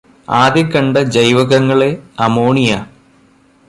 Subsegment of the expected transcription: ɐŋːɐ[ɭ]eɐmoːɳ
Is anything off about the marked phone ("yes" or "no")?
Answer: no